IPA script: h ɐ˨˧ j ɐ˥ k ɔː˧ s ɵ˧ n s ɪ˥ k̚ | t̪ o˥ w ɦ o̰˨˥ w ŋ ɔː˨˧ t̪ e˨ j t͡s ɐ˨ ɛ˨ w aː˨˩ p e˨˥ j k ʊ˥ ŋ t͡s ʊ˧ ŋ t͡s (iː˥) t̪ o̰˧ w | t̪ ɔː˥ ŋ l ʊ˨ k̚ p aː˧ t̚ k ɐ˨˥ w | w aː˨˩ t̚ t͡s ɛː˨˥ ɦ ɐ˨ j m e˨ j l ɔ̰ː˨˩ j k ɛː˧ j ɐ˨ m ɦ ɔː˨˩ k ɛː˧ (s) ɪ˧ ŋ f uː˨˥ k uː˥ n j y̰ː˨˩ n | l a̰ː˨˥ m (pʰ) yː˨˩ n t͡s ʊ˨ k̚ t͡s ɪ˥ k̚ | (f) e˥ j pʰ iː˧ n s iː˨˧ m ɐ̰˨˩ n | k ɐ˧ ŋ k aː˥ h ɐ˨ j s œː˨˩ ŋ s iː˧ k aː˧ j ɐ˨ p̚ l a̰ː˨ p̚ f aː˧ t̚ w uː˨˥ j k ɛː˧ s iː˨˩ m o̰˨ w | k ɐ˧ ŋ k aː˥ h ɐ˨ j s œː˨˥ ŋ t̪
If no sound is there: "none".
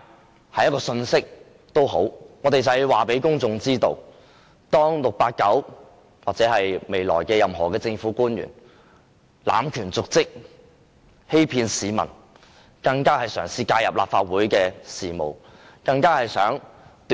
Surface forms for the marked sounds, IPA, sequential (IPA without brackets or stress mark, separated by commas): iː˥, t͡s, kʰ, h